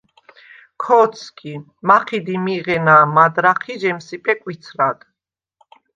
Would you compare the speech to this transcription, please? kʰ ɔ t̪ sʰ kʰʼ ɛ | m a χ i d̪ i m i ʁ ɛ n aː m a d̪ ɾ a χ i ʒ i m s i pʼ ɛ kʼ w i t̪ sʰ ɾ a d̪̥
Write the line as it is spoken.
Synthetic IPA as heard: kʰ ɔ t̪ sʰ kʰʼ i | m a χ i d̪ i m i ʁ ɛ n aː m a d̪ ɾ a χ i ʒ ɛ m s i pʼ ɛ kʼ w i t̪ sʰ ɾ a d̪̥